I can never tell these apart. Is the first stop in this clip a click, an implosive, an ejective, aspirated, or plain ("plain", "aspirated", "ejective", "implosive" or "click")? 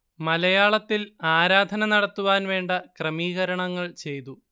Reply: plain